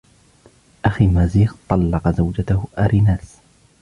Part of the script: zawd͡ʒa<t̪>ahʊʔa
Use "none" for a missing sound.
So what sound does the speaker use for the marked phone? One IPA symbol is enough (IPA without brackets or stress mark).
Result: t̪